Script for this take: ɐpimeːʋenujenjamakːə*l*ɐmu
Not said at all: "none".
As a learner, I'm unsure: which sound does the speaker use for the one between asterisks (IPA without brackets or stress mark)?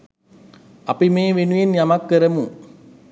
ɾ